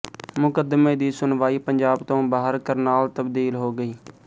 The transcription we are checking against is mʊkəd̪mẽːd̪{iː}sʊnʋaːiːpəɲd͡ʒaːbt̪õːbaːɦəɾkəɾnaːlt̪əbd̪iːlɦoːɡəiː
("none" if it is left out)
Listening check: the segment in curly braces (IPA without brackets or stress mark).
iː